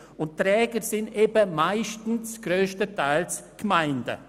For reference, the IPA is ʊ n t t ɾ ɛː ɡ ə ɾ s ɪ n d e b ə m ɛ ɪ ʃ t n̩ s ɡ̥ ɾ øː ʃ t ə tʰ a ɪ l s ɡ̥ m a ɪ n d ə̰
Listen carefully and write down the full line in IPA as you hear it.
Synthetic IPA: ʊ n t t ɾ ɛː ɡ ə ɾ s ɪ n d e b ə m a ɪ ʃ t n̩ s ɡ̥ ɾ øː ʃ t ə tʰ a ɪ l s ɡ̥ m a ɪ n d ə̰